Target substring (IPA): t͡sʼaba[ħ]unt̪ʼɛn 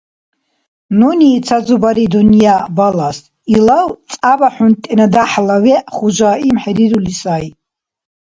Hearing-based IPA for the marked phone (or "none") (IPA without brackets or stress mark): ħ